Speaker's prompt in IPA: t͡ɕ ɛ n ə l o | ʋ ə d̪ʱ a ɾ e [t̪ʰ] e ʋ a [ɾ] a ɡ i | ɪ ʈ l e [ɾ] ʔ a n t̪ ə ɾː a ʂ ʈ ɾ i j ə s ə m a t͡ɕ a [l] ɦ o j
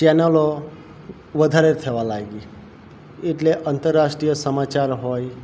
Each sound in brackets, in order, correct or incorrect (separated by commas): correct, incorrect, incorrect, incorrect